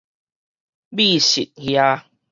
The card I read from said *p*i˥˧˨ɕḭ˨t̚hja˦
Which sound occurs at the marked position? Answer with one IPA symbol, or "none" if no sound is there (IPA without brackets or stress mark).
b